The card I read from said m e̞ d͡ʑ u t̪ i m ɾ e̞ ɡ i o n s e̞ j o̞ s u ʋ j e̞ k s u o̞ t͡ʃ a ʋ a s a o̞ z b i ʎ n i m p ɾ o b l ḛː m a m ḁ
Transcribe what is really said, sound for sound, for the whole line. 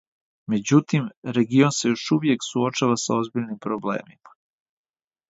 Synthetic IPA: m e̞ d͡ʑ u t̪ i m ɾ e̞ ɡ i o n s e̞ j o̞ ʃ u ʋ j e̞ k s u o̞ t͡ʃ a ʋ a s a o̞ z b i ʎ n i m p ɾ o b l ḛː m i m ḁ